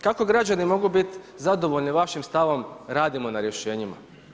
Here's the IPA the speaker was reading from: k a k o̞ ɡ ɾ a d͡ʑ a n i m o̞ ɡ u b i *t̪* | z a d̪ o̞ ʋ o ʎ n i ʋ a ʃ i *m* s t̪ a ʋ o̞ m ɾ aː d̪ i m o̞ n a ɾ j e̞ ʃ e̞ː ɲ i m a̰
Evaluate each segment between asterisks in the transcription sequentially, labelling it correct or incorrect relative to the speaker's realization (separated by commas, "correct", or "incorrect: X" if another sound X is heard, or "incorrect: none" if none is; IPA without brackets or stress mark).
correct, correct